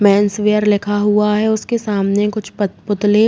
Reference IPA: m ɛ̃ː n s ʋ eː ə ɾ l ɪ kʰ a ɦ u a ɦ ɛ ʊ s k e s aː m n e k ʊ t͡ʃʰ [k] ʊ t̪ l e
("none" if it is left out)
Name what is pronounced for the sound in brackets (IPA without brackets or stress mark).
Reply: p